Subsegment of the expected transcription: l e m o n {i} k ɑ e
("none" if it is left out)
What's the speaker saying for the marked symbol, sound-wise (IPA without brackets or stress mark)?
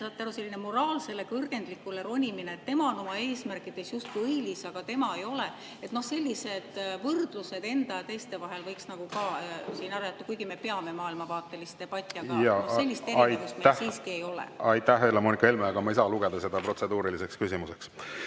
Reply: i